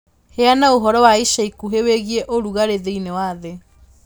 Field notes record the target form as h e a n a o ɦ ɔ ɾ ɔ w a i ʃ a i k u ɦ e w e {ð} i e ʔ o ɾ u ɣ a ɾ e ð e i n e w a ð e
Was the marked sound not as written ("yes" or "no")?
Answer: yes